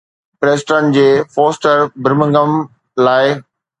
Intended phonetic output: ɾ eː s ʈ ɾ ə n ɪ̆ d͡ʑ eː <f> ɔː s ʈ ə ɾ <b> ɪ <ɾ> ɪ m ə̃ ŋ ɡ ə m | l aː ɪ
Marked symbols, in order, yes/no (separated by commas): yes, yes, yes